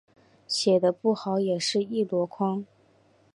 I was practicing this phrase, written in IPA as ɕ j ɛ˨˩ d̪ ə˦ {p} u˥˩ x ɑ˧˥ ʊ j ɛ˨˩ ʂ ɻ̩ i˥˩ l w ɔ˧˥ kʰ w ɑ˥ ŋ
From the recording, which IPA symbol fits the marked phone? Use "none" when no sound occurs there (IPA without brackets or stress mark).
p